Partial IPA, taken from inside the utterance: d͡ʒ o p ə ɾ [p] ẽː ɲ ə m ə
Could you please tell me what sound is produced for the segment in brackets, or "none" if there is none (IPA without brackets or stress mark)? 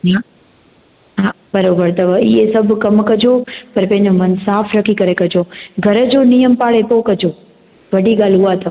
p